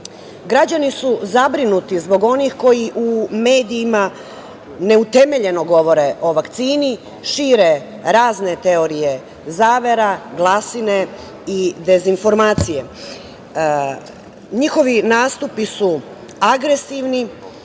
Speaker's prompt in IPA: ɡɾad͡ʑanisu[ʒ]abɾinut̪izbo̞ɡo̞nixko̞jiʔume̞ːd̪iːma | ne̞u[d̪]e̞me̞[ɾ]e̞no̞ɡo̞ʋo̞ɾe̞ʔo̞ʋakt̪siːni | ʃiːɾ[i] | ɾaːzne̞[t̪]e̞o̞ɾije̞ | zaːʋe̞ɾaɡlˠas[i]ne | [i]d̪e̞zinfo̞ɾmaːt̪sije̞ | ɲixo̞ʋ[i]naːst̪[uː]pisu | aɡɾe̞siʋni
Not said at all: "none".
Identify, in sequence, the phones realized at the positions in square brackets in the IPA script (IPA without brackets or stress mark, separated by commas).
z, t̪, ʎ, e, t̪, i, i, i, u